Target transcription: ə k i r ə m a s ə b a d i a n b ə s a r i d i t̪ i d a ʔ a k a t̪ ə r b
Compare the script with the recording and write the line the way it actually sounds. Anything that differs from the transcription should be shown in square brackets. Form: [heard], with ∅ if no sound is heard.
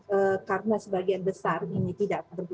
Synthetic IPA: ə k [a] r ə [n] a s ə b a [ɡ] i a n b ə s a r i [n] i t̪ i d a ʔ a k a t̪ ə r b

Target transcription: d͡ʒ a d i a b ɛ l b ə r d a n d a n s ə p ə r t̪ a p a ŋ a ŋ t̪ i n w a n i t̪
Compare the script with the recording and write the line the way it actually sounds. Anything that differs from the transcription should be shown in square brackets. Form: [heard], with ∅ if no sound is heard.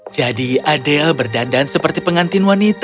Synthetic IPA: d͡ʒ a d i a [d] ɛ l b ə r d a n d a n s ə p ə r t̪ [i] p [ə] ŋ a [n] t̪ i n w a n i t̪

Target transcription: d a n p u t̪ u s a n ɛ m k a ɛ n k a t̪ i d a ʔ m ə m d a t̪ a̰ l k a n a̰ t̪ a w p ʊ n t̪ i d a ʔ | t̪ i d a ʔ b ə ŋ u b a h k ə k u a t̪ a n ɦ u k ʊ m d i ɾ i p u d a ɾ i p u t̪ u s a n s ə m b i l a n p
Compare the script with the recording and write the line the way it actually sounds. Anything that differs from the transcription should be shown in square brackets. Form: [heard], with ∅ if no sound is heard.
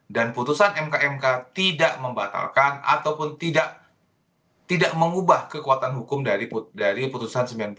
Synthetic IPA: d a n p u t̪ u s a n ɛ m k a ɛ [m] k a t̪ i d a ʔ m ə m [b] a t̪ a̰ l k a n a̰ t̪ a w p ʊ n t̪ i d a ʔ | t̪ i d a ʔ [m] ə ŋ u b a h k ə k u a t̪ a n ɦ u k ʊ m d [a] ɾ i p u d a ɾ i p u t̪ u s a n s ə m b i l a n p

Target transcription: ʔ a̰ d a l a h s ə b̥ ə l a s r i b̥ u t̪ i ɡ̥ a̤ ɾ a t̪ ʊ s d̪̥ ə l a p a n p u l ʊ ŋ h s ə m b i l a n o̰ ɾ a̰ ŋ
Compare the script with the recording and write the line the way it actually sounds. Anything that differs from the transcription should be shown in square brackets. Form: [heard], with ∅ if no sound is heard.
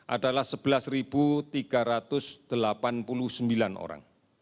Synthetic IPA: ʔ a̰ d a l a h s ə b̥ ə l a s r i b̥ u t̪ i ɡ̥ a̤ ɾ a t̪ ʊ s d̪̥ ə l a p a n p u l ʊ [∅] h s ə m b i l a n o̰ ɾ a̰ ŋ

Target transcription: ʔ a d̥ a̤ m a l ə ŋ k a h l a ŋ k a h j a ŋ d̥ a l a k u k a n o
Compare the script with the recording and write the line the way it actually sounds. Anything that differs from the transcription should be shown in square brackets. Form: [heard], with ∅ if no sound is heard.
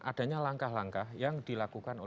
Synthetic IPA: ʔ a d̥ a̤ [ɲ] a l [a] ŋ k a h l a ŋ k a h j a ŋ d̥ [i] l a k u k a n o

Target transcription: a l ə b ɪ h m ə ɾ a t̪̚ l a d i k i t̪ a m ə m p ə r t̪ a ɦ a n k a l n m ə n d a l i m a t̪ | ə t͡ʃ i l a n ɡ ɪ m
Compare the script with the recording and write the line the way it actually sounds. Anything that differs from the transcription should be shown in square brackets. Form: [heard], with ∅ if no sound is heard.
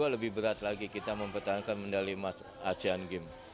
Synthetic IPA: a l ə b ɪ h [b] ə ɾ a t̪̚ l a [ɡ] i k i t̪ a m ə m p ə r t̪ a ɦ a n k a [∅] n m ə n d a l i m a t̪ | [a] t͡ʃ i [∅] a n ɡ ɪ m

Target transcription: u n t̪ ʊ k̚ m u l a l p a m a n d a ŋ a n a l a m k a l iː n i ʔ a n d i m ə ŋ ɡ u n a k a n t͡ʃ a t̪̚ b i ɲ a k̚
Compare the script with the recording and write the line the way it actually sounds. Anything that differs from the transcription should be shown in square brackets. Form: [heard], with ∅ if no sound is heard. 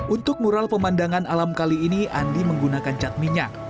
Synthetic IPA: u n t̪ ʊ k̚ m u [ɾ] a l p [ə] m a n d a ŋ a n a l a m k a l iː n i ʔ a n d i m ə ŋ ɡ u n a k a n t͡ʃ a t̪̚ [m] i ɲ a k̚

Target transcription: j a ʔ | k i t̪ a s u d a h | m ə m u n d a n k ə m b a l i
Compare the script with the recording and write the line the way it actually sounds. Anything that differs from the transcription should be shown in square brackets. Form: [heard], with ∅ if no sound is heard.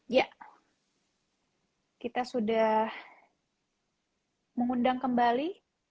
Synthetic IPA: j a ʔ | k i t̪ a s u d a h | m ə [ŋ] u n d a [ŋ] k ə m b a l i

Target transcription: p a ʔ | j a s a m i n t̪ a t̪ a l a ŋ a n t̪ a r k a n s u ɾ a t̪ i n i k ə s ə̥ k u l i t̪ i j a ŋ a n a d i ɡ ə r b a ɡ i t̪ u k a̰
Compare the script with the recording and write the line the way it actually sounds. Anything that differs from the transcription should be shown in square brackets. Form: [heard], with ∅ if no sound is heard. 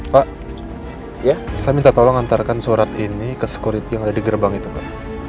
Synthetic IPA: p a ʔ | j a s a m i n t̪ a t̪ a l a ŋ a n t̪ a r k a n s u ɾ a t̪ i n i k ə s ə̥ k u [ɾ] i t̪ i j a ŋ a [d] a d i ɡ ə r b a [ŋ] i t̪ u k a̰

